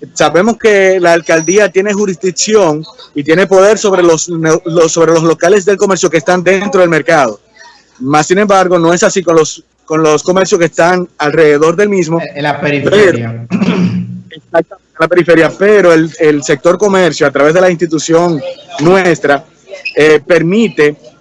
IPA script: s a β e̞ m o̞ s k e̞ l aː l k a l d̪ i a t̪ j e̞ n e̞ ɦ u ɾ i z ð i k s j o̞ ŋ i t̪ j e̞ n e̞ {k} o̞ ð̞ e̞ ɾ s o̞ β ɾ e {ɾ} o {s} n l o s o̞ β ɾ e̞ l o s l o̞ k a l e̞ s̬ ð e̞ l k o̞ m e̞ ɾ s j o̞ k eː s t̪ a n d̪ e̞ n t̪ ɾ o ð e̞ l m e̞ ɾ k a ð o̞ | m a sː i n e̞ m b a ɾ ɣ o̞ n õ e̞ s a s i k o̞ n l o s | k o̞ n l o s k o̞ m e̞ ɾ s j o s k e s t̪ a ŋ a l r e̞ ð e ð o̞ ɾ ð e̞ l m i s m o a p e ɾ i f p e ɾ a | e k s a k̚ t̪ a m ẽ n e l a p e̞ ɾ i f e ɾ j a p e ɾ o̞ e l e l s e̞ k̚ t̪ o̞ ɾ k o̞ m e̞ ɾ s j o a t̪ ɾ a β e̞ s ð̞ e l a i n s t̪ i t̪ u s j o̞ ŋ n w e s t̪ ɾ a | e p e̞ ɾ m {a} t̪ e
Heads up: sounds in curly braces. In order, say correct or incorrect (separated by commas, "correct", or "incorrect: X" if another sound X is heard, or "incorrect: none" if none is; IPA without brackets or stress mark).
incorrect: p, incorrect: l, correct, incorrect: i